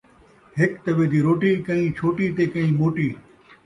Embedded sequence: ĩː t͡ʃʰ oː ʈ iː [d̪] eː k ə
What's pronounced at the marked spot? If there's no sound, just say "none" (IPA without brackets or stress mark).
t̪